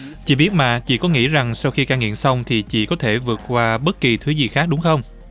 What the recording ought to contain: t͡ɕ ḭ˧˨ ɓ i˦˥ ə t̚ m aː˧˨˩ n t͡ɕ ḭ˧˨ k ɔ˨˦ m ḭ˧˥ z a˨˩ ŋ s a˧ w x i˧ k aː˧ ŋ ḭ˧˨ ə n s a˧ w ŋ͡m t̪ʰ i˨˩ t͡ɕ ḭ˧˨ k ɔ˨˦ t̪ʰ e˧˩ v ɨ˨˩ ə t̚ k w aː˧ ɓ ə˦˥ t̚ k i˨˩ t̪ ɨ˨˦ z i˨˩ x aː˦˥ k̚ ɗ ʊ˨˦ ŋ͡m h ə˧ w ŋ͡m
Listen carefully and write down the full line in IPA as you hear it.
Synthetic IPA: t͡ɕ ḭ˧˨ ɓ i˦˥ ə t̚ m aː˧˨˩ t͡ɕ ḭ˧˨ k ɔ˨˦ ŋ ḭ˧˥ z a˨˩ ŋ s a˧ w x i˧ k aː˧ ŋ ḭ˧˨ ə n s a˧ w ŋ͡m t̪ʰ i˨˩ t͡ɕ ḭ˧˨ k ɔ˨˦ t̪ʰ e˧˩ v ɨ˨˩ ə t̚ k w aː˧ ɓ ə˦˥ t̚ k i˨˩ t̪ʰ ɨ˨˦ z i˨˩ x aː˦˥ k̚ ɗ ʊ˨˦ ŋ͡m x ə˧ w ŋ͡m